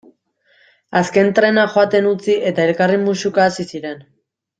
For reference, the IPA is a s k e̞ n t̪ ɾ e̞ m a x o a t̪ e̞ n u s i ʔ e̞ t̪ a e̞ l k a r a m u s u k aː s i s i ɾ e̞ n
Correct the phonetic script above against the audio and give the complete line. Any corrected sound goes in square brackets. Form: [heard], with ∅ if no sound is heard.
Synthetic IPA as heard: a s k e̞ n t̪ ɾ e̞ [n] a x o a t̪ e̞ n u [t͡s] i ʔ e̞ t̪ a e̞ l k a r [i] m u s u k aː s i s i ɾ e̞ n

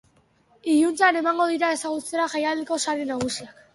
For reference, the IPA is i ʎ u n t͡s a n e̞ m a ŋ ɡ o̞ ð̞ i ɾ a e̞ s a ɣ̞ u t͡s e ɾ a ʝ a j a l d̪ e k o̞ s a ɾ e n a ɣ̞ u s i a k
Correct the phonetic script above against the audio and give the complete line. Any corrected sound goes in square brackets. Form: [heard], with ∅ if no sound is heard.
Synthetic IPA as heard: i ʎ u n t͡s a n e̞ m a ŋ ɡ o̞ ð̞ i ɾ a e̞ s a ɣ̞ u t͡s e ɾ a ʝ a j a l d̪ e k o̞ s a ɾ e n a ɣ̞ u s i a k

